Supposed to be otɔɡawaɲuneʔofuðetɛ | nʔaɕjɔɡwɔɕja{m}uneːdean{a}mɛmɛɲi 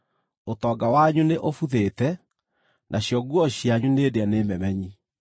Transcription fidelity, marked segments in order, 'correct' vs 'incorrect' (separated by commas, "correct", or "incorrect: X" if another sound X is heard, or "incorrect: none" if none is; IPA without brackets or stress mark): incorrect: ɲ, incorrect: e